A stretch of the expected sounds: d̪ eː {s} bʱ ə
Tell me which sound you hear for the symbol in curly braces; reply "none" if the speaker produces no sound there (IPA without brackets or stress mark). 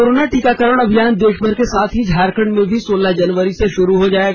ʃ